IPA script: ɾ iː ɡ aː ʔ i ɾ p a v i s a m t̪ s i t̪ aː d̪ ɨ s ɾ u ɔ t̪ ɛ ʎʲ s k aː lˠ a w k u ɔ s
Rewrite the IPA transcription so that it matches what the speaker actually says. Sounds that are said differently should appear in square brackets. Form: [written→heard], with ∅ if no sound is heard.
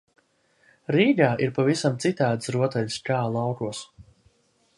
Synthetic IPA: ɾ iː ɡ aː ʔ i ɾ p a v i s a m t̪ s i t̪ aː d̪ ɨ s ɾ u ɔ t̪ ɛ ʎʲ s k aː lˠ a w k u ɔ s